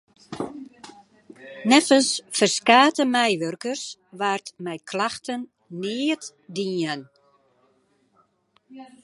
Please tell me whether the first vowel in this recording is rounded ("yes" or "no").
no